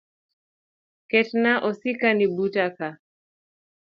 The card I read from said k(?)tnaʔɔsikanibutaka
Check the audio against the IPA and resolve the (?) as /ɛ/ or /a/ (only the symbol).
ɛ